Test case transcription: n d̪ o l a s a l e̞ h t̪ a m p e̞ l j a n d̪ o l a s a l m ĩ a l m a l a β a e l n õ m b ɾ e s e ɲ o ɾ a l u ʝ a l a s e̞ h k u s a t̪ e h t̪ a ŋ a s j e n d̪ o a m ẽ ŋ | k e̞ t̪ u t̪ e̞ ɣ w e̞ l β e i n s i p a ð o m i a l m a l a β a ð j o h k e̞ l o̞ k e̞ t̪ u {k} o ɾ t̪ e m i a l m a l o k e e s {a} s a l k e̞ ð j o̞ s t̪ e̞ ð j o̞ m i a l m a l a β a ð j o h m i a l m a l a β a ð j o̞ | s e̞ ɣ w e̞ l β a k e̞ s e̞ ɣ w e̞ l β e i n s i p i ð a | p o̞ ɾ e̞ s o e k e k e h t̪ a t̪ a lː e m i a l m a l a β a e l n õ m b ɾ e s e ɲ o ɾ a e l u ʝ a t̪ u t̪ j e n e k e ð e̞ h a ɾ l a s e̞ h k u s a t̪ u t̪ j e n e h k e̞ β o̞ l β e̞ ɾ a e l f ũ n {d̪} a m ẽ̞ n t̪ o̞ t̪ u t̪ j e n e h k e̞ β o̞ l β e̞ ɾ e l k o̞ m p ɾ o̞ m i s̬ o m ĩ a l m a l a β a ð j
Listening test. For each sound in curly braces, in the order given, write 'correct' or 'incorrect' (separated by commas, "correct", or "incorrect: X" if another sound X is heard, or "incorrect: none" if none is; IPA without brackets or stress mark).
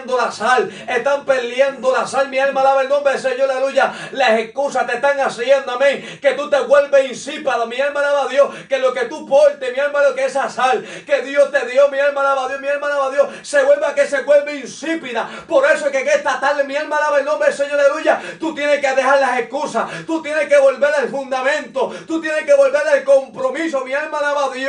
incorrect: p, correct, correct